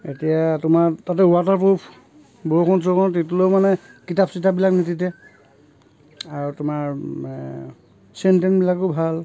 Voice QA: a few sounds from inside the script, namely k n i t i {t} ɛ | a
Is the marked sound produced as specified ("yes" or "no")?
yes